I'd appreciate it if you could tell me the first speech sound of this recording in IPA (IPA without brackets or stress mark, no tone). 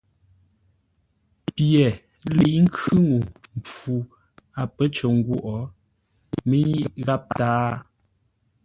p